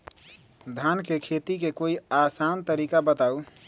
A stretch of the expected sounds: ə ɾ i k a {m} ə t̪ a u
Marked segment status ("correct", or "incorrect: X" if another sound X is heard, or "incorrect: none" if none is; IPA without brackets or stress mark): incorrect: b